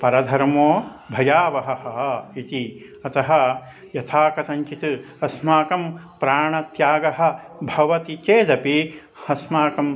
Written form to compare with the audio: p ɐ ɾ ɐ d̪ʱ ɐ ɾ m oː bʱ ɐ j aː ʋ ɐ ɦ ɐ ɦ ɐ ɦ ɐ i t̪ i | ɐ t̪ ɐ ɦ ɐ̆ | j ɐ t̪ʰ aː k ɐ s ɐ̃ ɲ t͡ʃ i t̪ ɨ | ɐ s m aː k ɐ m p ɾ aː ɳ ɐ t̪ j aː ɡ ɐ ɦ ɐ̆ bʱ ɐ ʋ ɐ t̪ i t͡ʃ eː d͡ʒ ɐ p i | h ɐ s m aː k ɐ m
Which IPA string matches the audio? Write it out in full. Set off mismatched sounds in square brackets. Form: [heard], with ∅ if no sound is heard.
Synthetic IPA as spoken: p ɐ ɾ ɐ d̪ʱ ɐ ɾ m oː bʱ ɐ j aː ʋ ɐ ɦ ɐ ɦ ɐ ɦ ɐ i t̪ i | ɐ t̪ ɐ ɦ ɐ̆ | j ɐ t̪ʰ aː k ɐ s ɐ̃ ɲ t͡ʃ i t̪ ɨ | ɐ s m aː k ɐ m p ɾ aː ɳ ɐ t̪ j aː ɡ ɐ ɦ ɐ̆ bʱ ɐ ʋ ɐ t̪ i t͡ʃ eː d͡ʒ ɐ p i | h ɐ s m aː k ɐ m